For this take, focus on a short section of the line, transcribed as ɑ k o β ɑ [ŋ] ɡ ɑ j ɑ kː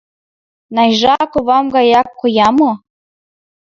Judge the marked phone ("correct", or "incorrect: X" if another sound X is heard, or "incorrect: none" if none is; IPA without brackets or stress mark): incorrect: m